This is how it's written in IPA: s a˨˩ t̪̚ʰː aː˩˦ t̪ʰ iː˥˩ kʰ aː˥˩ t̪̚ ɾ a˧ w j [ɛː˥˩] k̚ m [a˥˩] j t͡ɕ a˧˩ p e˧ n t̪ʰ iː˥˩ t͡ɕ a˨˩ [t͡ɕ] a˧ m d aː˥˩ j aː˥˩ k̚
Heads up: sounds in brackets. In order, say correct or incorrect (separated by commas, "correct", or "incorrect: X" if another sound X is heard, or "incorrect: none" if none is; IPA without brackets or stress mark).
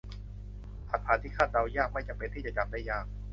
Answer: incorrect: aː˥˩, correct, correct